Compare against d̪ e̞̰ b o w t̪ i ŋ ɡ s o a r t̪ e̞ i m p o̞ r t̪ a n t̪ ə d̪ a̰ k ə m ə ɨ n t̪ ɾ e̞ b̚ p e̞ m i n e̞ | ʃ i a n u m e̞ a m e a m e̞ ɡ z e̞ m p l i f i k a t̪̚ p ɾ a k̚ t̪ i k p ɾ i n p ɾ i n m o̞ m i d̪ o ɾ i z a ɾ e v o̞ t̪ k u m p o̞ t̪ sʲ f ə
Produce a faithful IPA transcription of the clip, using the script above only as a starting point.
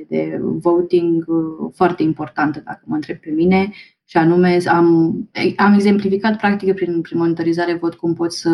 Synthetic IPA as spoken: d̪ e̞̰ v o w t̪ i ŋ ɡ f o a r t̪ e̞ i m p o̞ r t̪ a n t̪ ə d̪ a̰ k ə m ə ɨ n t̪ ɾ e̞ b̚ p e̞ m i n e̞ | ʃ i a n u m e̞ a m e a m e̞ ɡ z e̞ m p l i f i k a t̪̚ p ɾ a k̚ t̪ i k p ɾ i n p ɾ i n m o̞ n i t̪ o ɾ i z a ɾ e v o̞ t̪ k u m p o̞ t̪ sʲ s ə